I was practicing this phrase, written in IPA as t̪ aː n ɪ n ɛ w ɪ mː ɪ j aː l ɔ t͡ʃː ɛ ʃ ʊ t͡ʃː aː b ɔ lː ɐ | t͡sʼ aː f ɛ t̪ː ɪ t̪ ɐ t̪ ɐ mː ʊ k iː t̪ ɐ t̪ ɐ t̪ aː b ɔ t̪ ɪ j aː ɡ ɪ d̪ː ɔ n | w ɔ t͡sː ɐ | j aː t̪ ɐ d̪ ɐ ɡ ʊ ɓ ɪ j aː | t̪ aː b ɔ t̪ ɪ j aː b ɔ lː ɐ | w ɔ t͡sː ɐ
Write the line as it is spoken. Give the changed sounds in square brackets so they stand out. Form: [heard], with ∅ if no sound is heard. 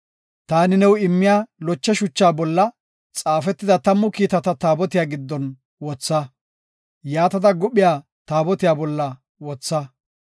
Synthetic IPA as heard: t̪ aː n ɪ n ɛ w ɪ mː ɪ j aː l ɔ t͡ʃː ɛ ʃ ʊ t͡ʃː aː b ɔ lː ɐ | t͡sʼ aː f ɛ t̪ː ɪ [d̪] ɐ t̪ ɐ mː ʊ k iː t̪ ɐ t̪ ɐ t̪ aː b ɔ t̪ ɪ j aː ɡ ɪ d̪ː ɔ n | w ɔ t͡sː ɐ | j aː t̪ ɐ d̪ ɐ ɡ ʊ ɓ ɪ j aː | t̪ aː b ɔ t̪ ɪ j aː b ɔ lː ɐ | w ɔ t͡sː ɐ

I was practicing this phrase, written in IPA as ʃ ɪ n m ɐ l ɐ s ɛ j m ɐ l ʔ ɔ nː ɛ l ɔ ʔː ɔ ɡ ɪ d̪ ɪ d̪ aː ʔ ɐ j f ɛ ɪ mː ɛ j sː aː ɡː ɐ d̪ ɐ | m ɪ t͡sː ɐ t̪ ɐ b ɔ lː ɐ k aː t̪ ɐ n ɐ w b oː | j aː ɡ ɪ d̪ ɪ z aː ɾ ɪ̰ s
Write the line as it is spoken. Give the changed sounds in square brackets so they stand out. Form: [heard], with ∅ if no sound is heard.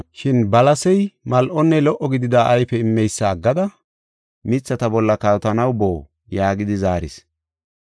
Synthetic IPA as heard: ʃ ɪ n [b] ɐ l ɐ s ɛ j m ɐ l ʔ ɔ nː ɛ l ɔ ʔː ɔ ɡ ɪ d̪ ɪ d̪ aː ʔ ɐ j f ɛ ɪ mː ɛ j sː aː ɡː ɐ d̪ ɐ | m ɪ t͡sː ɐ t̪ ɐ b ɔ lː ɐ k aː t̪ ɐ n ɐ w b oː | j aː ɡ ɪ d̪ ɪ z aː ɾ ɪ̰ s

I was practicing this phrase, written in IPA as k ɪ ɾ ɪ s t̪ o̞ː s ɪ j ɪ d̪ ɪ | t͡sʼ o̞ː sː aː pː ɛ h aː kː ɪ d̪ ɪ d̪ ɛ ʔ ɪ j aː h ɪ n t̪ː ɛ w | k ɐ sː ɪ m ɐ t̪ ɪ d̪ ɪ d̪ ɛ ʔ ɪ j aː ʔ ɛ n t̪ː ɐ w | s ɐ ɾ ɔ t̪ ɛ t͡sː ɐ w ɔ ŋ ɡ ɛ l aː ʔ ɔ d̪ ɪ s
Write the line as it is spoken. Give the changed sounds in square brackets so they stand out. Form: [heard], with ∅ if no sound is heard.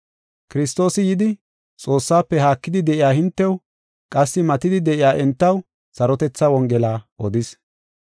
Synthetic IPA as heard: k ɪ ɾ ɪ s t̪ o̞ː s ɪ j ɪ d̪ ɪ | t͡sʼ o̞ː sː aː pː ɛ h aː kː ɪ d̪ ɪ d̪ ɛ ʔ ɪ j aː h ɪ n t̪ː ɛ w | [kʼ] ɐ sː ɪ m ɐ t̪ ɪ d̪ ɪ d̪ ɛ ʔ ɪ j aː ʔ ɛ n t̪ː ɐ w | s ɐ ɾ ɔ t̪ ɛ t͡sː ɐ w ɔ ŋ ɡ ɛ l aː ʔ ɔ d̪ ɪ s

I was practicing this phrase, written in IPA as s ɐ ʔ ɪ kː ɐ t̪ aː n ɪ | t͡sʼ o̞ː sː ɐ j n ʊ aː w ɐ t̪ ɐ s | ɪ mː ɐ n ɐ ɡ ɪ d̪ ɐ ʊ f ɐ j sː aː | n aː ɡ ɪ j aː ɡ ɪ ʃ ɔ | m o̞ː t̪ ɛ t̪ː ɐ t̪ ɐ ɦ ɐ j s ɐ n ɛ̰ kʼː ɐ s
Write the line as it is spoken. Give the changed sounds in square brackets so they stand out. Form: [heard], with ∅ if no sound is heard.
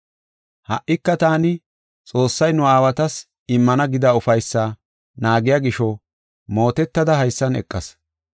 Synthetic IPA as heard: [h] ɐ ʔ ɪ kː ɐ t̪ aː n ɪ | t͡sʼ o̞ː sː ɐ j n ʊ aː w ɐ t̪ ɐ s | ɪ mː ɐ n ɐ ɡ ɪ d̪ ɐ ʊ f ɐ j sː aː | n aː ɡ ɪ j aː ɡ ɪ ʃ ɔ | m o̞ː t̪ ɛ t̪ː ɐ [d̪] ɐ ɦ ɐ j [sː] ɐ n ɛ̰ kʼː ɐ s

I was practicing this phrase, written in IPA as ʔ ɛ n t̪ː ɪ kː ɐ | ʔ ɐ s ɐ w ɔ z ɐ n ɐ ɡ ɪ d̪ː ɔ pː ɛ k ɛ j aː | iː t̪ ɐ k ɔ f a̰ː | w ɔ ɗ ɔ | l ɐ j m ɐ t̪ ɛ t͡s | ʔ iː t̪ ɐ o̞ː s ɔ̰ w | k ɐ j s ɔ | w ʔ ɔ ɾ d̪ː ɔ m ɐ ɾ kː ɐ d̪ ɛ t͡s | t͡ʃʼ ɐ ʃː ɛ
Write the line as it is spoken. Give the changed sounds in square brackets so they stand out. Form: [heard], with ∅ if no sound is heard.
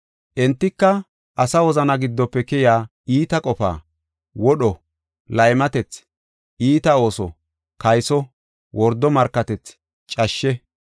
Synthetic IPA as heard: ʔ ɛ n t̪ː ɪ kː ɐ | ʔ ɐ s ɐ w ɔ z ɐ n ɐ ɡ ɪ d̪ː ɔ pː ɛ k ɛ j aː | iː t̪ ɐ [kʼ] ɔ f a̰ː | w ɔ ɗ ɔ | l ɐ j m ɐ t̪ ɛ t͡s | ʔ iː t̪ ɐ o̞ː s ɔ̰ [∅] | k ɐ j s ɔ | w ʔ ɔ ɾ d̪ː ɔ m ɐ ɾ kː ɐ [t̪] ɛ t͡s | t͡ʃʼ ɐ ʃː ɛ

